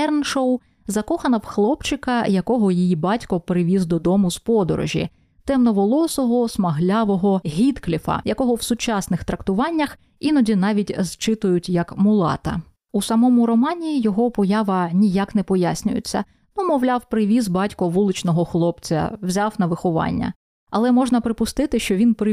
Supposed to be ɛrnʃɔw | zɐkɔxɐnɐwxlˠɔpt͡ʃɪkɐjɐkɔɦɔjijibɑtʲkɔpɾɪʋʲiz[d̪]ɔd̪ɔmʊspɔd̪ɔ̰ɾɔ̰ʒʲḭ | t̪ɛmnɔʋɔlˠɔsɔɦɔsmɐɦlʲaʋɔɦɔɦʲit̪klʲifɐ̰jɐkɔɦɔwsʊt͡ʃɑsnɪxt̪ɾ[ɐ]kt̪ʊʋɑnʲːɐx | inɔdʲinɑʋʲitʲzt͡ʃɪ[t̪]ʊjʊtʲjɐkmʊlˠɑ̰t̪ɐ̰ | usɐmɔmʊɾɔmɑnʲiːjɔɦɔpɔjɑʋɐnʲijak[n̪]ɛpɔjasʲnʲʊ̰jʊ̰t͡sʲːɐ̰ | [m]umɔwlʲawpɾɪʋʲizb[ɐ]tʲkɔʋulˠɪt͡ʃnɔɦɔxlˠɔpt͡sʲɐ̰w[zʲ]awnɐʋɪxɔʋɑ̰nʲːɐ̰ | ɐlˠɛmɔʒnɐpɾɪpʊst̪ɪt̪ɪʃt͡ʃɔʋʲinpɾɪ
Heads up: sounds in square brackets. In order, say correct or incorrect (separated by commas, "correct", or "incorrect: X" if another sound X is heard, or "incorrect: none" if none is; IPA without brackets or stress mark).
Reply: correct, correct, correct, correct, incorrect: n, incorrect: ɑ, correct